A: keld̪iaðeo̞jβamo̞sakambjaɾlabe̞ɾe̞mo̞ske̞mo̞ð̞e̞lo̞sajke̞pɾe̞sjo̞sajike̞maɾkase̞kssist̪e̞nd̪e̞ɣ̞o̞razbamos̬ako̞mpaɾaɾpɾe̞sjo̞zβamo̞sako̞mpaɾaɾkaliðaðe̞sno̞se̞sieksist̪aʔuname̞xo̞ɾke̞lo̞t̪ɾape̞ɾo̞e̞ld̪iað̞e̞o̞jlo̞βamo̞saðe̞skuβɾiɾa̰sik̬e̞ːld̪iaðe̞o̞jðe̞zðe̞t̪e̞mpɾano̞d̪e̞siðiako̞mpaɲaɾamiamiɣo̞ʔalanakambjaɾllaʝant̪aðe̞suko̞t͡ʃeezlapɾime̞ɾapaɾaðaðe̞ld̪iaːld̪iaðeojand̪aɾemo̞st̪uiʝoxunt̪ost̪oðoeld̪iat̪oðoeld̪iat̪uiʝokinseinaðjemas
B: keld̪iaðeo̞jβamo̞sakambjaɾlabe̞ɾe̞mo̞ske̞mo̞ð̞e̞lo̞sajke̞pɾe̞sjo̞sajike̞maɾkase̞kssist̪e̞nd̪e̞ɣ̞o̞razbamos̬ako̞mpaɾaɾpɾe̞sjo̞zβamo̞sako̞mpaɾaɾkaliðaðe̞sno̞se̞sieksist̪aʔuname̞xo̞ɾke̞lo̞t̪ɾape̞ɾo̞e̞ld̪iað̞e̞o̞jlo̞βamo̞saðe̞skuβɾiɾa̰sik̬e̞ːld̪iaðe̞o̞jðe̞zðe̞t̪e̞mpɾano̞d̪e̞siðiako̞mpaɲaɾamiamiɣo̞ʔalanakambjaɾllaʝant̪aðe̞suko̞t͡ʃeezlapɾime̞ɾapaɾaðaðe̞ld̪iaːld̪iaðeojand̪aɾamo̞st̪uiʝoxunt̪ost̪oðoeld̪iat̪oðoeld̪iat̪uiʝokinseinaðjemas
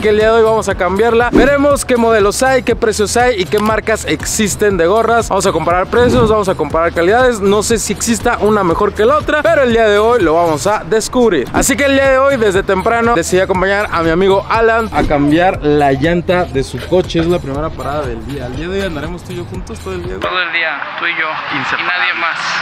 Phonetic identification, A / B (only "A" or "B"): A